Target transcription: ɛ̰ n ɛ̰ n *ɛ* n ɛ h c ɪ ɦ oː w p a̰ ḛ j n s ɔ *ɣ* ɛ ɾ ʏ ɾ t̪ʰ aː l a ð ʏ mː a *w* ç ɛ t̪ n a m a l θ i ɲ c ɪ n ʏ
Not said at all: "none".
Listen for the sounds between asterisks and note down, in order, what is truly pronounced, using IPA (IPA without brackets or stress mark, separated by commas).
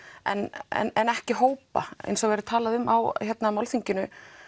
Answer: ɛ, v, w